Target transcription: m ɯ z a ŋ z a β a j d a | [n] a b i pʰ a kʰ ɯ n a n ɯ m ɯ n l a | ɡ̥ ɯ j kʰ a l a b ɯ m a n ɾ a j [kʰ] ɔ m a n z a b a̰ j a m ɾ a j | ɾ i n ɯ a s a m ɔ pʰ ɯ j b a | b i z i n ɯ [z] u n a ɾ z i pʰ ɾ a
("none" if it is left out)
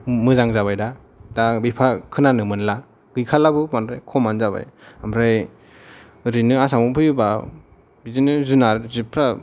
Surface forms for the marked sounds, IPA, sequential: d, kʰ, z

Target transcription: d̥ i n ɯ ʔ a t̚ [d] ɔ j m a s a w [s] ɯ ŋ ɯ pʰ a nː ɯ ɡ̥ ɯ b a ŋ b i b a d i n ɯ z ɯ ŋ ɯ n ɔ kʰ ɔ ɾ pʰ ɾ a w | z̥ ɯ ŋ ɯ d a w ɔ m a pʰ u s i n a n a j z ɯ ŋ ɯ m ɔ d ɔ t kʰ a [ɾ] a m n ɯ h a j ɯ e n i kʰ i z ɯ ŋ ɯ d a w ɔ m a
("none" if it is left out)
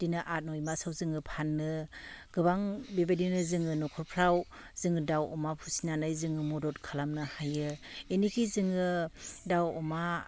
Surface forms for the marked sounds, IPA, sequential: n, z, l

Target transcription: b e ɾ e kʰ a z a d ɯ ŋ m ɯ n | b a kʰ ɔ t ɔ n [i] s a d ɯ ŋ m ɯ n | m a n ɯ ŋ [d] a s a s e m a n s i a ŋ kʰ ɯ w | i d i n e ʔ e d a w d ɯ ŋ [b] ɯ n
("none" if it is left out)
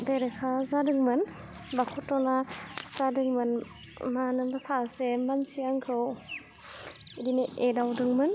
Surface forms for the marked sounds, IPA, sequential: a, b, m

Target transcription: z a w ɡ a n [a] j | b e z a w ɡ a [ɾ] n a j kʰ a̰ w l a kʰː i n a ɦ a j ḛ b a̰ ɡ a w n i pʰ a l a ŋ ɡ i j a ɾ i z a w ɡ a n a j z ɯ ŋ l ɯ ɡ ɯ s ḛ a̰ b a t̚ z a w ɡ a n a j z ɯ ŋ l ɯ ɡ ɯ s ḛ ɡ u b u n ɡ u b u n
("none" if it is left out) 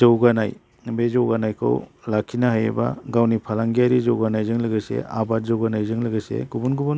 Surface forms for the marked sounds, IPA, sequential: a, none

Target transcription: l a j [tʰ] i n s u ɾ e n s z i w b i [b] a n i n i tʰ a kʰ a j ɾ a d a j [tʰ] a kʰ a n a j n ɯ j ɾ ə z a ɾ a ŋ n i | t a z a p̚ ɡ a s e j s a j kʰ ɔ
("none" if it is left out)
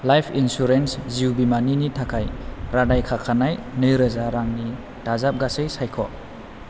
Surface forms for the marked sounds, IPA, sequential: pʰ, m, kʰ

